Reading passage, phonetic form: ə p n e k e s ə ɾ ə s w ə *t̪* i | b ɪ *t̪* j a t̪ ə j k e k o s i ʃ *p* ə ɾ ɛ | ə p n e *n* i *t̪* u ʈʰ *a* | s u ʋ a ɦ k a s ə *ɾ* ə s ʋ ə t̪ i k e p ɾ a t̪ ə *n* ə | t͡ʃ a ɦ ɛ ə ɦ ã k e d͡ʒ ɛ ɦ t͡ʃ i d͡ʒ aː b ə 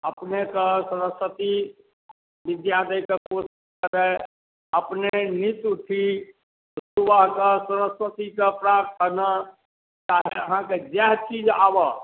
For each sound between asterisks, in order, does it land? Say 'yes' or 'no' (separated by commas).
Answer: yes, no, no, yes, yes, no, yes, yes